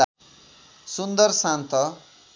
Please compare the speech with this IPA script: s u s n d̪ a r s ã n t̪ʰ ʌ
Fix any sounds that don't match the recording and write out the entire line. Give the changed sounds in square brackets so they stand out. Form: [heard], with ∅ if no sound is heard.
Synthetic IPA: s u [∅] n d̪ [ʌ] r s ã n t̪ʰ ʌ